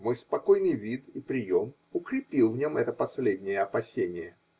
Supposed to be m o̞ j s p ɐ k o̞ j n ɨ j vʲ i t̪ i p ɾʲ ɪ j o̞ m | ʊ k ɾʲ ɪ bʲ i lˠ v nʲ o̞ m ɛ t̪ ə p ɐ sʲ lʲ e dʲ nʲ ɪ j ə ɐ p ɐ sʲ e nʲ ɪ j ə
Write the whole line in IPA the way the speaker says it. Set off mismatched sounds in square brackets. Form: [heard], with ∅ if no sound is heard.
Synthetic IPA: m o̞ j s p ɐ k o̞ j n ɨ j vʲ i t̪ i p ɾʲ ɪ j o̞ m | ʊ k ɾʲ ɪ [pʲ] i lˠ v nʲ o̞ m ɛ t̪ ə p ɐ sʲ lʲ e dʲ nʲ ɪ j ə ɐ p ɐ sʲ e nʲ ɪ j ə